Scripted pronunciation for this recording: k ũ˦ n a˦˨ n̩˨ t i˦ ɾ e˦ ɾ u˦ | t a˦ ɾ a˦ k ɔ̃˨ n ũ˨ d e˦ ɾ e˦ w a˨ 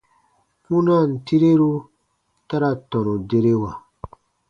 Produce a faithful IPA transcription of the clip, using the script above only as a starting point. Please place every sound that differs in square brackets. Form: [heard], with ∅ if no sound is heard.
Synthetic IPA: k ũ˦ n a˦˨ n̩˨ t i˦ ɾ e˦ ɾ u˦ | t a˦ ɾ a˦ [t] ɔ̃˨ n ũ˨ d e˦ ɾ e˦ w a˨